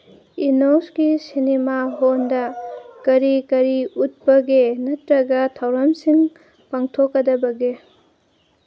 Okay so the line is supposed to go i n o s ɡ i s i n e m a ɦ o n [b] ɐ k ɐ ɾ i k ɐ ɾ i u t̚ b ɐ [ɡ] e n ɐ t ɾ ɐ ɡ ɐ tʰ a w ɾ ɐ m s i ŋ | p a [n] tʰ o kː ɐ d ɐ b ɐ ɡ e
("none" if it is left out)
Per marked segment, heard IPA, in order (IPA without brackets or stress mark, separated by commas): d, ɡ, ŋ